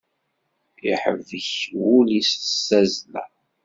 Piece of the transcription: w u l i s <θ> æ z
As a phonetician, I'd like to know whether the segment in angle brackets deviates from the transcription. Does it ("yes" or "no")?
yes